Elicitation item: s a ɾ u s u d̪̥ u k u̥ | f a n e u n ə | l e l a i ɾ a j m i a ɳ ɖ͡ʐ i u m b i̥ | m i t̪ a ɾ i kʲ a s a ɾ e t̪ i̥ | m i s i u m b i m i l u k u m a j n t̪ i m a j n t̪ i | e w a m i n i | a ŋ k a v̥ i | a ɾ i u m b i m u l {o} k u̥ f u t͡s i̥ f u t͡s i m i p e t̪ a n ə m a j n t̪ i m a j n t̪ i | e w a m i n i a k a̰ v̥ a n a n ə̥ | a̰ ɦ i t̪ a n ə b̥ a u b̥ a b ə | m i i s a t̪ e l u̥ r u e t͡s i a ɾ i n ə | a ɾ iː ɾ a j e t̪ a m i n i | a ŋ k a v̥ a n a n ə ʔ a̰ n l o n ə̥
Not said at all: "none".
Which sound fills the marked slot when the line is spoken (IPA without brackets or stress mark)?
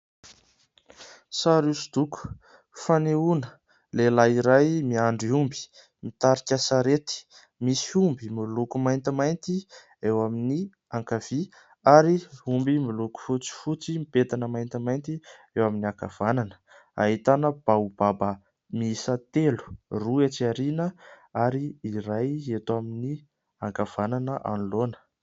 u